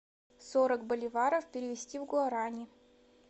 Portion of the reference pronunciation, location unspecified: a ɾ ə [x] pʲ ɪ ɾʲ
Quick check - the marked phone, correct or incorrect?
incorrect